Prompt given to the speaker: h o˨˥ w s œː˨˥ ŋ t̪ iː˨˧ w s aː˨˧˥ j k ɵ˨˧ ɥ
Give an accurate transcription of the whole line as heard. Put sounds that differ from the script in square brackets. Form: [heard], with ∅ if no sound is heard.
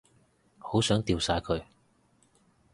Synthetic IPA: h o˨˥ w s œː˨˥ ŋ t̪ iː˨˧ w s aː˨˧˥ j [kʰ] ɵ˨˧ ɥ